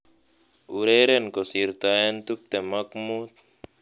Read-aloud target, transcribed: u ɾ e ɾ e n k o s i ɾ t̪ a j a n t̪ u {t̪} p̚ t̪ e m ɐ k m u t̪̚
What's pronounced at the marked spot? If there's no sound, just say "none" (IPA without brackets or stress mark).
none